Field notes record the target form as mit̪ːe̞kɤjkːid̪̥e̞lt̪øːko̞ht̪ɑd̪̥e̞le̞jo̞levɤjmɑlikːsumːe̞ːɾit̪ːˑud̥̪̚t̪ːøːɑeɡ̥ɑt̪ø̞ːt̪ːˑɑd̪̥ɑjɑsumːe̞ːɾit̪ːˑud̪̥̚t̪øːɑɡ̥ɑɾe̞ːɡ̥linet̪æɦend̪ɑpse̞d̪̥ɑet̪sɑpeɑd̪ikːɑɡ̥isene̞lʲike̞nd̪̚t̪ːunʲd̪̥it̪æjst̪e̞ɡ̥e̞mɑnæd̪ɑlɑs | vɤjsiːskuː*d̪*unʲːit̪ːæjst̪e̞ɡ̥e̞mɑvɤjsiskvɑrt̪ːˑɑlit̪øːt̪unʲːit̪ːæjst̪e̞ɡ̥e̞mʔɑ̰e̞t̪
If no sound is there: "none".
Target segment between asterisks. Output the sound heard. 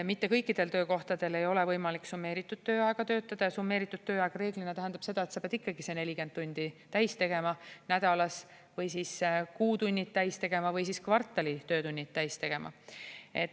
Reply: t̪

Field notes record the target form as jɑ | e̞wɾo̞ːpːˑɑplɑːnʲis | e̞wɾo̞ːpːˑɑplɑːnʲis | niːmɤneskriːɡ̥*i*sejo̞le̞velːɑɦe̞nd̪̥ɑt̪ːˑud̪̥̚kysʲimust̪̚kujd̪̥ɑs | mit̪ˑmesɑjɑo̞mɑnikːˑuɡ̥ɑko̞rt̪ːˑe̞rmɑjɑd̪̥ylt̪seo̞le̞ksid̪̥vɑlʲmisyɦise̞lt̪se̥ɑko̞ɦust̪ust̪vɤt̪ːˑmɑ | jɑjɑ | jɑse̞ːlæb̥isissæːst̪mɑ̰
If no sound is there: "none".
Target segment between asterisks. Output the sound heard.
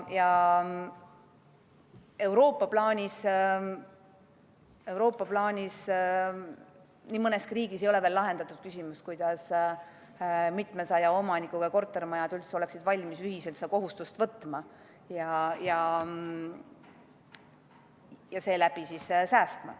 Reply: i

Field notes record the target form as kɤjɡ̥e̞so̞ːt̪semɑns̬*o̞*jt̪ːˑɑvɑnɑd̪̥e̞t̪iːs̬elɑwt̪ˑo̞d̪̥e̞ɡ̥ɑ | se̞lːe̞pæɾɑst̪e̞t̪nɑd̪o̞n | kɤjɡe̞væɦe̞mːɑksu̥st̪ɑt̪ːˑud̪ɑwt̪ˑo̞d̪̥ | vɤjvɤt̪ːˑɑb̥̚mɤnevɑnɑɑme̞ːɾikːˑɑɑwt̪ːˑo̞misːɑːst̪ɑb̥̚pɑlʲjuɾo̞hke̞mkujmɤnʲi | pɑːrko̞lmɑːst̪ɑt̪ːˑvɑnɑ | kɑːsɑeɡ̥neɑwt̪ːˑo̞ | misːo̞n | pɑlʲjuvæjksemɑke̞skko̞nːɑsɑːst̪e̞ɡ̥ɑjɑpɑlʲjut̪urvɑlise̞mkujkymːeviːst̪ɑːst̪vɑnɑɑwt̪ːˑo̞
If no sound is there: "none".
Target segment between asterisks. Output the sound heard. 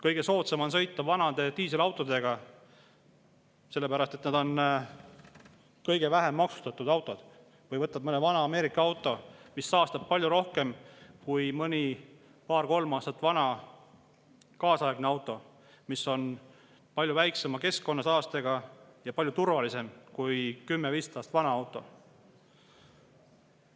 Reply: ɤ̞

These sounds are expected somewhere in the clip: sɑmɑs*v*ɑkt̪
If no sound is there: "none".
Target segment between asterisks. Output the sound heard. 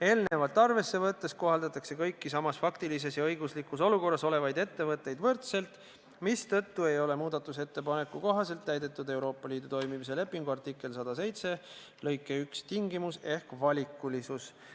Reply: f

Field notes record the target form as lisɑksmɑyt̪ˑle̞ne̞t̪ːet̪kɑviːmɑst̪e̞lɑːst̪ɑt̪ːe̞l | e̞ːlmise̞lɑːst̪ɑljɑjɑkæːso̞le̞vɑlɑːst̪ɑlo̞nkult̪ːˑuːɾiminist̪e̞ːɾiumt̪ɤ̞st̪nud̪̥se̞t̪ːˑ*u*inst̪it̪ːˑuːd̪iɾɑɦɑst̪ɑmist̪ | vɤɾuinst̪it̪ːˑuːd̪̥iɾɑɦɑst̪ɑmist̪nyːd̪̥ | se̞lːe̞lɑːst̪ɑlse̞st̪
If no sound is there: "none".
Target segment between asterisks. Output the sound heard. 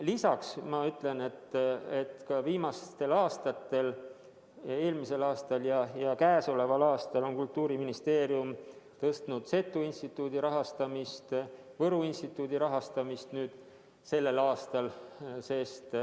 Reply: u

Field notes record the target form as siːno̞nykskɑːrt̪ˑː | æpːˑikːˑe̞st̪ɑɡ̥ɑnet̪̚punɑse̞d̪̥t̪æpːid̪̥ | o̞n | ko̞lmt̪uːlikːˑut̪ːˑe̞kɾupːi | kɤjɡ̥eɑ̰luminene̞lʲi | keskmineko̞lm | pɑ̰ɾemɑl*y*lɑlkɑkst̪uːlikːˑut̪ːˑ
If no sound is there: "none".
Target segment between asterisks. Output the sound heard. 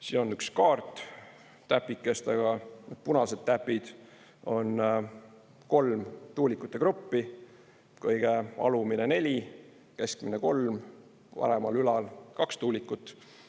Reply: y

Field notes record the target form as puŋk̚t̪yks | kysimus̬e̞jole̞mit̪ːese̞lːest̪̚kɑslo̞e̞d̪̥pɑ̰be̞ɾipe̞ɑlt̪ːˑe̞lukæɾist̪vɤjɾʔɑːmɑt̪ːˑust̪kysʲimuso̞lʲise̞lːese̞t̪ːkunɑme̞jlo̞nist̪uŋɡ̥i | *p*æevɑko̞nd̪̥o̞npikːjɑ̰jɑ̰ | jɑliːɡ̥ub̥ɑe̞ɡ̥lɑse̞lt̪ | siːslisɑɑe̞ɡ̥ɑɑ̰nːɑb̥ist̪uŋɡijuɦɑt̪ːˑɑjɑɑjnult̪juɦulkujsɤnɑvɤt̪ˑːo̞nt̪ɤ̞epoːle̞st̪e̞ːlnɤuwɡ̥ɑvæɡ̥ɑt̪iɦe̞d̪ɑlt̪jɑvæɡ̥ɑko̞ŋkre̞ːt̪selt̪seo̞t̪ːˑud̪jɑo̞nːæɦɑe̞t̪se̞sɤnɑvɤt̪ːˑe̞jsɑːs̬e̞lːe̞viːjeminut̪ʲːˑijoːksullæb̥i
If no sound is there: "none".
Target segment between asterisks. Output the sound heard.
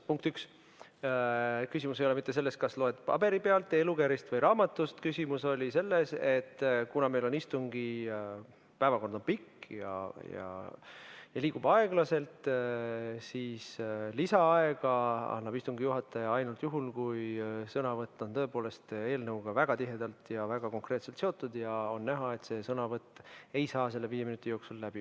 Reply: p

